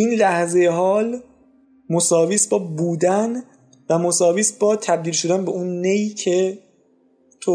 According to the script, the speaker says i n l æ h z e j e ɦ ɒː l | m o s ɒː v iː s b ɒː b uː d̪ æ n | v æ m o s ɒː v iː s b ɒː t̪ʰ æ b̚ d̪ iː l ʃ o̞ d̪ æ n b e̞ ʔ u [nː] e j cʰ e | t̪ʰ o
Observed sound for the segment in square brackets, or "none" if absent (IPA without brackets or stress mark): nː